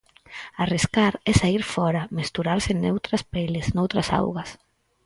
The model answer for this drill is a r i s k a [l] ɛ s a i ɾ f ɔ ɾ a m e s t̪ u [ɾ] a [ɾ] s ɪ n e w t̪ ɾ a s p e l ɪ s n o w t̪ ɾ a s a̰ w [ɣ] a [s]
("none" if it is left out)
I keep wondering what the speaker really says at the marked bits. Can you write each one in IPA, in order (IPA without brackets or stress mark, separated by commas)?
ɾ, ɾ, ɾ, ɣ, s